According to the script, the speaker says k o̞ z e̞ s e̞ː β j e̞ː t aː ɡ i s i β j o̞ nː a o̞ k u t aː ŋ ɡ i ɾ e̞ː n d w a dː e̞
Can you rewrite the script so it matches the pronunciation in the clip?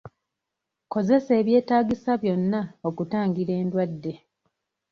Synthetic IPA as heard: k o̞ z e̞ s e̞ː β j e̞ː t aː ɡ i s a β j o̞ nː a o̞ k u t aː ŋ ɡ i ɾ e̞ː n d w a dː e̞